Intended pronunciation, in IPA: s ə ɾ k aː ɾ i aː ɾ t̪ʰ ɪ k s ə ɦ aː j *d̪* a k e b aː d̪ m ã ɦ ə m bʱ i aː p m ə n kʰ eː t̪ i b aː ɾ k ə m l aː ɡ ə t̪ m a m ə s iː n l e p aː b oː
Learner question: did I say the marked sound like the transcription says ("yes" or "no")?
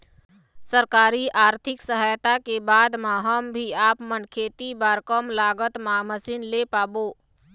no